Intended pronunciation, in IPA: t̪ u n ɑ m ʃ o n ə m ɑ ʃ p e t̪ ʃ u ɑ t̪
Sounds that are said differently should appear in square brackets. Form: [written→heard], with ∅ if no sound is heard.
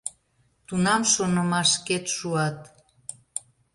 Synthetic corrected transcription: t̪ u n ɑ m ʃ o n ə m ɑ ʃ [p→k] e t̪ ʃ u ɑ t̪